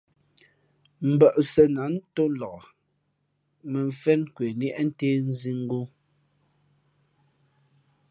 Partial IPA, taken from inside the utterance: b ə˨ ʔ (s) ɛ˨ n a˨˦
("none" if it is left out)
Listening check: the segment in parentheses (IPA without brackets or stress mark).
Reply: s